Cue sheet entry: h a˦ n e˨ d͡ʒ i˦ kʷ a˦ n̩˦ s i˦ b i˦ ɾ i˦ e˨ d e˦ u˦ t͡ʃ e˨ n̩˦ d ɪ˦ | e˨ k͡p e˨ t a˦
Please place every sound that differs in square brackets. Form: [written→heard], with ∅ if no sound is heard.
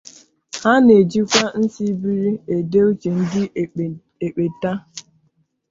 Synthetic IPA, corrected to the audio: h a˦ n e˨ d͡ʒ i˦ kʷ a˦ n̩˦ s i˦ b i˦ ɾ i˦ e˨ d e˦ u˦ t͡ʃ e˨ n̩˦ d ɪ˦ | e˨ k͡p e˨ t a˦